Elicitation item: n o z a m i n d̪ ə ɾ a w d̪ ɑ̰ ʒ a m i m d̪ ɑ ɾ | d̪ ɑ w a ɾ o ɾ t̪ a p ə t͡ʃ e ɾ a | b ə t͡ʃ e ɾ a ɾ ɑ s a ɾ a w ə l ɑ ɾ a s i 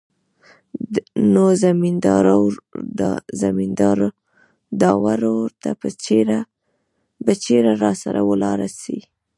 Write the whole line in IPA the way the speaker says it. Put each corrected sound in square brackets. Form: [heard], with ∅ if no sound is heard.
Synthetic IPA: n o z a m i n d̪ [ɑ] ɾ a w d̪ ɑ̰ [z] a m i [n] d̪ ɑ ɾ | d̪ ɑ w a ɾ o ɾ t̪ a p ə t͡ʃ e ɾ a | b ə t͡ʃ e ɾ a ɾ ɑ s a ɾ a w ə l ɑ ɾ a s i

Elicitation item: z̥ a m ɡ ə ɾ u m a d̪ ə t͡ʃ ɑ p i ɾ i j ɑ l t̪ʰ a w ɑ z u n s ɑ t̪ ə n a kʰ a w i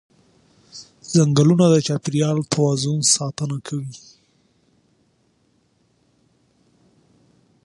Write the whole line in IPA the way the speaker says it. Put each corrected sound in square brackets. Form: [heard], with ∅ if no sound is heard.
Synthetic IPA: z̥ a [ŋ] ɡ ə [l] u [n] a d̪ ə t͡ʃ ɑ p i ɾ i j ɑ l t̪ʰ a w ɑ z u n s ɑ t̪ ə n a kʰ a w i

